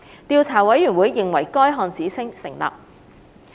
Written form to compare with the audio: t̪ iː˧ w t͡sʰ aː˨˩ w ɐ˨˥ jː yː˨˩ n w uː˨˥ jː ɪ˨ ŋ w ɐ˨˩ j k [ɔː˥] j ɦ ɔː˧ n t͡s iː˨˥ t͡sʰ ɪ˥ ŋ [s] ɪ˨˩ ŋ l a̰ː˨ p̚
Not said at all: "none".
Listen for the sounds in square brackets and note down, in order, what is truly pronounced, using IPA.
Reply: ɔː˥, s

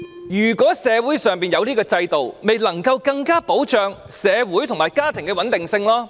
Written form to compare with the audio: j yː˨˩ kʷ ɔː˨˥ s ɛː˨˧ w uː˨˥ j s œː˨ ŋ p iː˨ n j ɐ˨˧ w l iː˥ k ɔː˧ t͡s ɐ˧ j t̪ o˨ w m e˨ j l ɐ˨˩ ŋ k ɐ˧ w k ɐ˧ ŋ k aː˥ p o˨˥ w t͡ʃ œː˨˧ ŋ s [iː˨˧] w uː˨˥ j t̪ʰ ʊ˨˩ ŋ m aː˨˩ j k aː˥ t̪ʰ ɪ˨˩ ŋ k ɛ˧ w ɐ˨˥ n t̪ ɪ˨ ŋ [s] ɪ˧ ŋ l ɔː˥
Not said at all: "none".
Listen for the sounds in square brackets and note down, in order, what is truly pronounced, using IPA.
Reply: ɛː˨˧, s

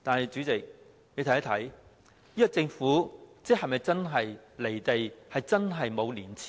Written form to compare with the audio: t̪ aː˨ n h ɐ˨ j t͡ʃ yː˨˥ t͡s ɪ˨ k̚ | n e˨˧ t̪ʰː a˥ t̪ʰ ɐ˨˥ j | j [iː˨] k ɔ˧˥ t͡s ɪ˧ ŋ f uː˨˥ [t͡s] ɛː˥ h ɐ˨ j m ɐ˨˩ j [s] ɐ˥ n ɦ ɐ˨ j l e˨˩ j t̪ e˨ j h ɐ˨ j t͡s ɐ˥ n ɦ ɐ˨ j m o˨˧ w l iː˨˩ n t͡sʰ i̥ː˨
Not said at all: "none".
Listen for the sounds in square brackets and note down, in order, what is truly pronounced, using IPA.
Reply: iː˥, t͡s, t͡s

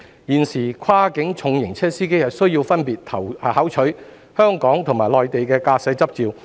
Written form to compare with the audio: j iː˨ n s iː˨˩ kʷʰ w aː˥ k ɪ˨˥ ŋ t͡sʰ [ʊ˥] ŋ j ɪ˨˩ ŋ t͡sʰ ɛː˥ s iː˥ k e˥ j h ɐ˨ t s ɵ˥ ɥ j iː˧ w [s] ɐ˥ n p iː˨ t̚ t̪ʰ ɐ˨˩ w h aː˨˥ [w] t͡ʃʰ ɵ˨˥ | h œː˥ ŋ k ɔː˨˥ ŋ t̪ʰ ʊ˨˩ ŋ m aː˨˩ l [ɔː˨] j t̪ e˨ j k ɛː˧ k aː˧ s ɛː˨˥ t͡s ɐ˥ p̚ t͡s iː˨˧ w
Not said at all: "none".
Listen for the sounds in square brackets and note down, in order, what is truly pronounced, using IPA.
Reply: ʊ˨˧, f, w, ɔː˨

